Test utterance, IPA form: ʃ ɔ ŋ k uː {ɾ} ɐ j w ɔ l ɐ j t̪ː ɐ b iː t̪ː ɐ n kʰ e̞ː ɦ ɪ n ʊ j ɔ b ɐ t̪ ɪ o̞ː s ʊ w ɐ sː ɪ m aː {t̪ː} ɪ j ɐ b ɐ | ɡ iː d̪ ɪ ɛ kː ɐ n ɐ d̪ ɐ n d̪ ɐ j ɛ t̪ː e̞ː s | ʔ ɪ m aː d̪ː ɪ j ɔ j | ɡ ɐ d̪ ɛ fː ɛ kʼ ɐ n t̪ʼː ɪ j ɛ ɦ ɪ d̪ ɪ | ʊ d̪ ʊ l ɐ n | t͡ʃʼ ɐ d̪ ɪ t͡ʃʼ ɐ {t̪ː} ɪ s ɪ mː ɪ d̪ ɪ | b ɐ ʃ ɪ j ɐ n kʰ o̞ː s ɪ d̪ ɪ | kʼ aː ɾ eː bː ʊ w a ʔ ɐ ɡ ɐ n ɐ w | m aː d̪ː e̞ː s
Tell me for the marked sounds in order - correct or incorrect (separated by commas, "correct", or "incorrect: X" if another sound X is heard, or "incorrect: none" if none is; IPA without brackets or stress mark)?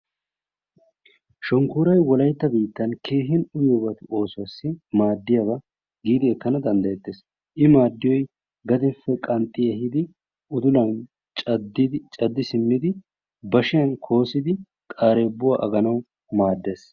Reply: correct, incorrect: d̪ː, incorrect: d̪ː